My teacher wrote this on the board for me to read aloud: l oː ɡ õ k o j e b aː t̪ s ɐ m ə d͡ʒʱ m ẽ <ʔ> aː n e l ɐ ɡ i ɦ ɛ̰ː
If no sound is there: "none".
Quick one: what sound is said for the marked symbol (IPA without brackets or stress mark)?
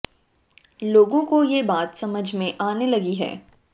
ʔ